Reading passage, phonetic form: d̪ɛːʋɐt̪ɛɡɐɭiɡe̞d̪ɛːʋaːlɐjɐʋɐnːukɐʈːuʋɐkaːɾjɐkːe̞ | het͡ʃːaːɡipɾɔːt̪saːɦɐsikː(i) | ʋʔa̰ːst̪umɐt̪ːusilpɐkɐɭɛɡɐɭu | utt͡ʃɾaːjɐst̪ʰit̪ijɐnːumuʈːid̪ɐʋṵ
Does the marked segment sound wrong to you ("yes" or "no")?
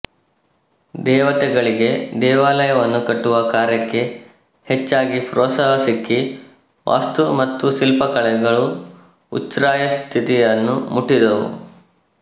no